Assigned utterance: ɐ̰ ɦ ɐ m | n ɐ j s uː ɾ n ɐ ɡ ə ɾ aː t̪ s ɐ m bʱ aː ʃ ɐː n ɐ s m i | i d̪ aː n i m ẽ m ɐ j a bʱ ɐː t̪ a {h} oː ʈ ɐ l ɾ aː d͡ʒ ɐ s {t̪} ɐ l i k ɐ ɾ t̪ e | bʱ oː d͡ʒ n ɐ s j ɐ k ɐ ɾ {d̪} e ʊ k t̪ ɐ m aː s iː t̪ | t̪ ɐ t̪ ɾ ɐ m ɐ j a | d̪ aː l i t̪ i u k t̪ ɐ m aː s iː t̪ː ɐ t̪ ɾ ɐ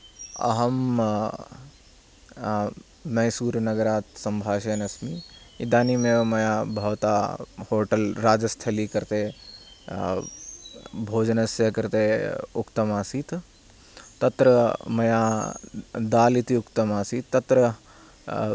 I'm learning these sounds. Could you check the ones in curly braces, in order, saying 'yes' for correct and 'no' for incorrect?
yes, no, no

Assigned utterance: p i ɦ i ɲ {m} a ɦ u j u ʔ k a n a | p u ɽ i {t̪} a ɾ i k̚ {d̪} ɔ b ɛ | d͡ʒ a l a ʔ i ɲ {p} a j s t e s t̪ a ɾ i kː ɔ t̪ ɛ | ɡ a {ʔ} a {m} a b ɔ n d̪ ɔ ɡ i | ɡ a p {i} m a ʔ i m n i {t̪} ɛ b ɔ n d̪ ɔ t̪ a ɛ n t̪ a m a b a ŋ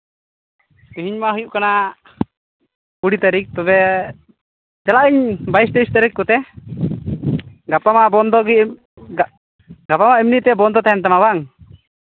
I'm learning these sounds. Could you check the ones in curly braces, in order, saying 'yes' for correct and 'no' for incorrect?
yes, yes, no, no, no, yes, no, yes

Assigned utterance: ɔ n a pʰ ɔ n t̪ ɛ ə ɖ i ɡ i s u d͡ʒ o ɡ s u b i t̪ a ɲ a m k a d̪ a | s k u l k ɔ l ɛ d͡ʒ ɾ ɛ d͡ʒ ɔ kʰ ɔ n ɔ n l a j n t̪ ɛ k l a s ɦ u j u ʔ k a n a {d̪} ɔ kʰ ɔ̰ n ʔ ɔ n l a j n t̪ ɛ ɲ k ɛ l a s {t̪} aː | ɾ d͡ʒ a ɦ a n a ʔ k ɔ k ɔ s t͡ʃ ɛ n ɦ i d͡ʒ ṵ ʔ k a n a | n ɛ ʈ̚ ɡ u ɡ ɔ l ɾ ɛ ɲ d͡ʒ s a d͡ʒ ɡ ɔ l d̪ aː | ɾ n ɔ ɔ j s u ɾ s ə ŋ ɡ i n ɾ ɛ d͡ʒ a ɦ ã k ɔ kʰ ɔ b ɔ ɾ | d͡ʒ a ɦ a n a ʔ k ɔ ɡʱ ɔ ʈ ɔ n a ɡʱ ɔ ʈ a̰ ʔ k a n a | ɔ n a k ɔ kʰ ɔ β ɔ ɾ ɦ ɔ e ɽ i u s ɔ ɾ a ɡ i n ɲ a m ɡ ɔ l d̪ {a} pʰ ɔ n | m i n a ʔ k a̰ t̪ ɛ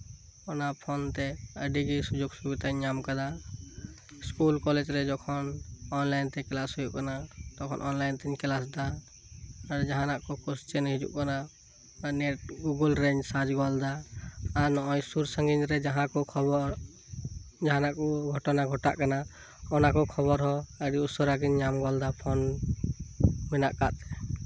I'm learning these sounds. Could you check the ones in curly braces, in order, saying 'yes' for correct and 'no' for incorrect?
no, no, yes

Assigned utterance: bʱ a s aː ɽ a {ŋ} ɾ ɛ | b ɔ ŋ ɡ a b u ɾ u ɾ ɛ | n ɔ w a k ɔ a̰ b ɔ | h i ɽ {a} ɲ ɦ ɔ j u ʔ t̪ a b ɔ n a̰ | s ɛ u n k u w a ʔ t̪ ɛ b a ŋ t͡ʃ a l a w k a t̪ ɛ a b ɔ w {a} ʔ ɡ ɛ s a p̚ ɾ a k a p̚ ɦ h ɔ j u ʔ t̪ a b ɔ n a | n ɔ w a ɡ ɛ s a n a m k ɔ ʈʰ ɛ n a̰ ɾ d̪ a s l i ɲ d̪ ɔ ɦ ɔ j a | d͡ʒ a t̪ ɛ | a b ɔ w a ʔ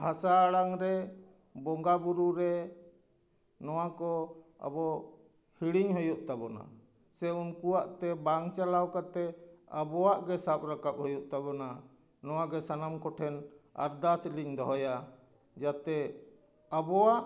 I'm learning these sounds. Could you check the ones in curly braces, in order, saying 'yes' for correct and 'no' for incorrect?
yes, no, yes

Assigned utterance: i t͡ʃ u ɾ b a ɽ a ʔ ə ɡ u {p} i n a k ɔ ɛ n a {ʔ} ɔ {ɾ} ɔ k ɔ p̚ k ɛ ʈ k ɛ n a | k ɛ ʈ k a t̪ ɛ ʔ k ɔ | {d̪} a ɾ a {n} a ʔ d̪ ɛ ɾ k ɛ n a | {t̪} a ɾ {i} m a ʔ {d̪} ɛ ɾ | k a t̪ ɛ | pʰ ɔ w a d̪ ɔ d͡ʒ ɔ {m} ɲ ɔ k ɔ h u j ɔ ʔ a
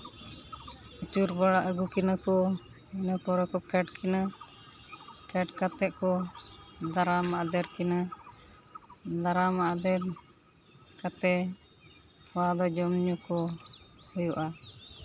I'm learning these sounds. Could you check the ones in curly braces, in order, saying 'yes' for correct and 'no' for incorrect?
no, no, yes, yes, no, no, no, yes, yes

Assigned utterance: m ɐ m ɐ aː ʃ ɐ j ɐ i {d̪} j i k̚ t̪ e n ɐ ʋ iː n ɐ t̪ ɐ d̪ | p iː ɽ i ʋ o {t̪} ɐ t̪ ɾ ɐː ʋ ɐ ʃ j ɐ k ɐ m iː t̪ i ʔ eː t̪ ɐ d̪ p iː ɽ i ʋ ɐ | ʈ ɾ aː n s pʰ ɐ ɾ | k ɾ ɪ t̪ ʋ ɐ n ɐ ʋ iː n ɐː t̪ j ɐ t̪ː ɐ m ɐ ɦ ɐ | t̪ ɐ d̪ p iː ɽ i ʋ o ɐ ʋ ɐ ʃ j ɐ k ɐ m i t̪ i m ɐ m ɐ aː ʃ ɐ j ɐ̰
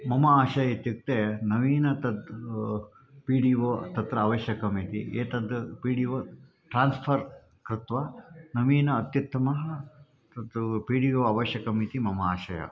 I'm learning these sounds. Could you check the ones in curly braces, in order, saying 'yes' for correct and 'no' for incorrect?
no, yes

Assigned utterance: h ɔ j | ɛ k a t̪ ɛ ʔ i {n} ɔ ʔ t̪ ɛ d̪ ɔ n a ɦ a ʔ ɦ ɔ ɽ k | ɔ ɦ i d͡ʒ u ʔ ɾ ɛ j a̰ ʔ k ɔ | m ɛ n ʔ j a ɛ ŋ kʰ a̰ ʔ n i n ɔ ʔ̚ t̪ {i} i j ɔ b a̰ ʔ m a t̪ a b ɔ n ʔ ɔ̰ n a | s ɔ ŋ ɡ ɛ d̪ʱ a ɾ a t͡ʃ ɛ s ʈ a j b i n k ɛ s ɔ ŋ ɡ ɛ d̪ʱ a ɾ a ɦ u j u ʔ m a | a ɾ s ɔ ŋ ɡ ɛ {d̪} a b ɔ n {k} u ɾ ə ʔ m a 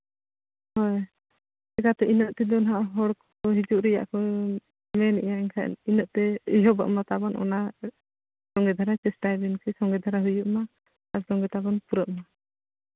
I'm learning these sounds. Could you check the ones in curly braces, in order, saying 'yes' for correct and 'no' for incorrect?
yes, no, no, no

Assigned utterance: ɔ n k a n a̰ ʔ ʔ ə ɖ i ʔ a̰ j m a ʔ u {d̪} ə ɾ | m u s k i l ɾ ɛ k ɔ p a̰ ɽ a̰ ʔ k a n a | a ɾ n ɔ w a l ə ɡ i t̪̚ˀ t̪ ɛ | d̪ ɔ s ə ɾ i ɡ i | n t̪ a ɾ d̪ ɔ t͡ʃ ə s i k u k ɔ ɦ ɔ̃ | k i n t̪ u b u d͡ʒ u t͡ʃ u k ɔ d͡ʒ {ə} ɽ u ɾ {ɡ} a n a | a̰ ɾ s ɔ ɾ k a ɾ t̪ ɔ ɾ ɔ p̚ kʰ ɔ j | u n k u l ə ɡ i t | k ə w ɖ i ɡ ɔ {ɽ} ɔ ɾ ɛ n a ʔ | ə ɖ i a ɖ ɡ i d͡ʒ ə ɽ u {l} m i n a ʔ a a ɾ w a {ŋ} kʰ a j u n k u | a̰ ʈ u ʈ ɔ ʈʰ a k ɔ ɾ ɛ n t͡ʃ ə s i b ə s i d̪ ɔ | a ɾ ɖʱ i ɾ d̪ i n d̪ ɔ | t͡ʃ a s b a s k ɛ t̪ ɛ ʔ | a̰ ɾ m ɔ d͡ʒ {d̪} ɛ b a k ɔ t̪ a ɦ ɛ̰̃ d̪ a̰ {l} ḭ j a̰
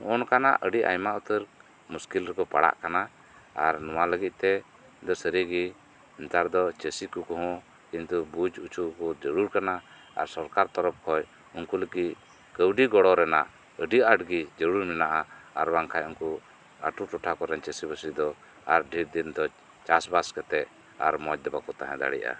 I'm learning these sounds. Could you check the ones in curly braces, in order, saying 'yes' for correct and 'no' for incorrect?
no, yes, no, yes, no, yes, yes, no

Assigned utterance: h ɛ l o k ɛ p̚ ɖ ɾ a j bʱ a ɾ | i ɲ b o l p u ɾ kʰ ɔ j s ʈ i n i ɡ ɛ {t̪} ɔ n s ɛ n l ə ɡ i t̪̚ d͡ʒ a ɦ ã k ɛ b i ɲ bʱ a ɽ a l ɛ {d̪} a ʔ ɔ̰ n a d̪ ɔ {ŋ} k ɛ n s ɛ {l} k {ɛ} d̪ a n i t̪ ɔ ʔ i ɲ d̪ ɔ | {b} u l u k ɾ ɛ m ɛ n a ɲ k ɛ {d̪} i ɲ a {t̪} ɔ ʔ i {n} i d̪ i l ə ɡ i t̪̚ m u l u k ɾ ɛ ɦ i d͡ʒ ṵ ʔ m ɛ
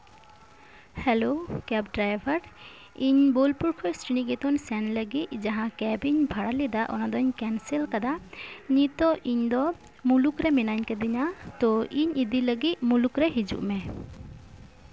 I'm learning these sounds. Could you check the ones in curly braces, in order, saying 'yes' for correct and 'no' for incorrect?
yes, yes, no, yes, no, no, yes, yes, no

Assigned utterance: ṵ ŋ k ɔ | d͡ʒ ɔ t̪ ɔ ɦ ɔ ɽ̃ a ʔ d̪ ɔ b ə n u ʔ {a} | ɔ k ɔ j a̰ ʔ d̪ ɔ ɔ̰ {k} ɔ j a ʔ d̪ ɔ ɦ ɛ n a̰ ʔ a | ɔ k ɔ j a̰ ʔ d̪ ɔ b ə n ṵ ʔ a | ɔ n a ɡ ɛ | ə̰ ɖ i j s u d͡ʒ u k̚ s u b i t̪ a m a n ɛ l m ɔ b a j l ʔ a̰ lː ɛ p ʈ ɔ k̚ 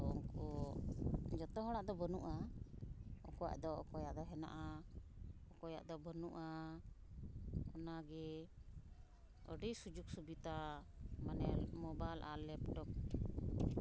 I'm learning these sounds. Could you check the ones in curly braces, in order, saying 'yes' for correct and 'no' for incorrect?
yes, yes

